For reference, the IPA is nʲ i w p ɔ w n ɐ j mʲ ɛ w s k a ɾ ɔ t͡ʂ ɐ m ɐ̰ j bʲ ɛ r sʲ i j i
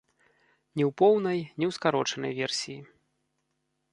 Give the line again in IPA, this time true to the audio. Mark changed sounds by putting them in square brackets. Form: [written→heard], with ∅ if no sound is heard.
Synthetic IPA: nʲ [i→ɛ] w p ɔ w n ɐ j [mʲ→nʲ] ɛ w s k a ɾ ɔ t͡ʂ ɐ [m→n] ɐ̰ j [bʲ→vʲ] ɛ r sʲ i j i